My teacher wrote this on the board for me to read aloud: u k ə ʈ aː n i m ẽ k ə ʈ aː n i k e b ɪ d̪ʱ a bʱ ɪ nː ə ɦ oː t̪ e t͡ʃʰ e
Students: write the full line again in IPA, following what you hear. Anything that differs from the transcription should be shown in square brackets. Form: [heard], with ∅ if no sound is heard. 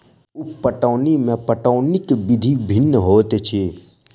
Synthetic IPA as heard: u [p] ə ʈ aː n i m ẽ [p] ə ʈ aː n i k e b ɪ d̪ʱ [i] bʱ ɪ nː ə ɦ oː t̪ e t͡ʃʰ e